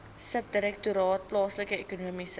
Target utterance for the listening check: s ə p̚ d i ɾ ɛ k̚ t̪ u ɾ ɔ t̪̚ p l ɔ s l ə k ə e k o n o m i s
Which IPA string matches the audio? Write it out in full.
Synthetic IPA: s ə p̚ d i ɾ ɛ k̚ t̪ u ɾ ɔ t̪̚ p l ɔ s l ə k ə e k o n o m i s